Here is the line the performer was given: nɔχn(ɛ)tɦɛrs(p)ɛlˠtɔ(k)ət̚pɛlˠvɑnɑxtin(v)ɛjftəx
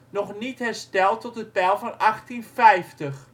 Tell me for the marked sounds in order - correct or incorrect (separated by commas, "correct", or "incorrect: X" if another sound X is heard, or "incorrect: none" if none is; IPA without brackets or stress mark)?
incorrect: i, incorrect: t, incorrect: t, incorrect: f